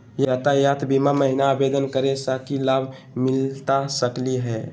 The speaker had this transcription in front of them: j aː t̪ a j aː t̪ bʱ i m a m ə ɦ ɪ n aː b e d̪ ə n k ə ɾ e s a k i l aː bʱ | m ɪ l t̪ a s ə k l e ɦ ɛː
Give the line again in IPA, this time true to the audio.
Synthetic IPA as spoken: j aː t̪ a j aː t̪ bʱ i m a m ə ɦ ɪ n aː b e d̪ ə n k ə ɾ e s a k i l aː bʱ | m ɪ l t̪ a s ə k l i ɦ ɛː